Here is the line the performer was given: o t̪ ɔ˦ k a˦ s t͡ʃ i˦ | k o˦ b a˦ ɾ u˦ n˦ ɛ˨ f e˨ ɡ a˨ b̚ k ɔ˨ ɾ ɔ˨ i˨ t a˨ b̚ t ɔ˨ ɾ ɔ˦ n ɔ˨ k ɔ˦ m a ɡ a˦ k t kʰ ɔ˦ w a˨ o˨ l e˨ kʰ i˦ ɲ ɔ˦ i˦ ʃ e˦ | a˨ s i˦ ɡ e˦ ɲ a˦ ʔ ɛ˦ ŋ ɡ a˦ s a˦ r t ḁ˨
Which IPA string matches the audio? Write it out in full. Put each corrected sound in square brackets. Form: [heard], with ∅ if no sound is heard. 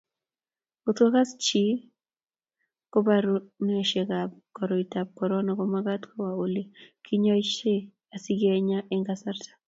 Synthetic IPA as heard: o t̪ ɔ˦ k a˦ s t͡ʃ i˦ | k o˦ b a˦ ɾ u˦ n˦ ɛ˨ [ʃ] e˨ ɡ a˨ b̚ k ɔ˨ ɾ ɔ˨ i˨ t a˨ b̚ [k] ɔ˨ ɾ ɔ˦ n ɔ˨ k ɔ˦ m a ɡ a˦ [∅] t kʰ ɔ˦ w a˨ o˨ l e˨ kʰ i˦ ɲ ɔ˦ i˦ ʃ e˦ | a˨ s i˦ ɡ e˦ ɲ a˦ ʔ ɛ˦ ŋ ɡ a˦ s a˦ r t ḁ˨